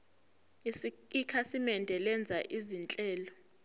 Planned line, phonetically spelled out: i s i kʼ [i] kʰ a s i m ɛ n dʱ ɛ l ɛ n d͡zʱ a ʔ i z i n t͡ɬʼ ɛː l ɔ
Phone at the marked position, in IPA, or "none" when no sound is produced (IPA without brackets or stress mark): i